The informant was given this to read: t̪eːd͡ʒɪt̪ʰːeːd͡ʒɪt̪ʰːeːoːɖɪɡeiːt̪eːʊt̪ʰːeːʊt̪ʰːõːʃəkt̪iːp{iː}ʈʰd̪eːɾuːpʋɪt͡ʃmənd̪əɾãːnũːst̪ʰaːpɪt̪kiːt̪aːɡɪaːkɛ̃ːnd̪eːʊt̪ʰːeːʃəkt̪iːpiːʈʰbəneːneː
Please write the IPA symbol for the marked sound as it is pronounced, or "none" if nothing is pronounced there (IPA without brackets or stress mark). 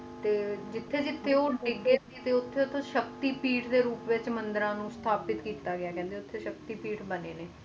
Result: iː